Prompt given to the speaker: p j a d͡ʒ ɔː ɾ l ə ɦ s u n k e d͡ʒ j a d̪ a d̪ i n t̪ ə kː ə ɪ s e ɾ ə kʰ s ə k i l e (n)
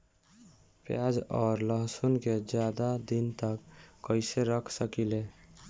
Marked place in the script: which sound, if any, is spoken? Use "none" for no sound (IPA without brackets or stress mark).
none